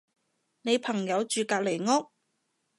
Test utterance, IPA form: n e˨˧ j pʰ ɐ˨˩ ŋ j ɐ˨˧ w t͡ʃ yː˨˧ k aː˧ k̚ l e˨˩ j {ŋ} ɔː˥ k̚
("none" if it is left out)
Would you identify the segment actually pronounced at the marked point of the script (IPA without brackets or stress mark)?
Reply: ŋ